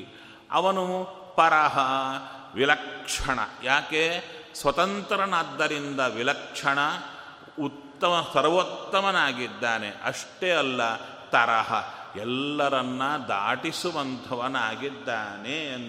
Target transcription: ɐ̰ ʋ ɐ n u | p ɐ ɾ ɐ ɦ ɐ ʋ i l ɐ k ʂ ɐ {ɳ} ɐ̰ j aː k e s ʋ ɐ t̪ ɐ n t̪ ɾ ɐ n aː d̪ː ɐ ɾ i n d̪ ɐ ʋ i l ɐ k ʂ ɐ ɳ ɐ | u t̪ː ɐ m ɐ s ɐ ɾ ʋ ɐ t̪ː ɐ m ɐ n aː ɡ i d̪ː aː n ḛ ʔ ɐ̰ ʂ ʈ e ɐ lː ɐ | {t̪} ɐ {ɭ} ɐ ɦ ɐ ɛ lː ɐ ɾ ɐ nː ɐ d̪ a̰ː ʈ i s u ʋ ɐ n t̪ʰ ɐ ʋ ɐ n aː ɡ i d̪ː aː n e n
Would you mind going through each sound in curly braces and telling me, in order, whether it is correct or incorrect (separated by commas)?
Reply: correct, correct, incorrect